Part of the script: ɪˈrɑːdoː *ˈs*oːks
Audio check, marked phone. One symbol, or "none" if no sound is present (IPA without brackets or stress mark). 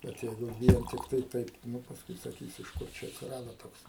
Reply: t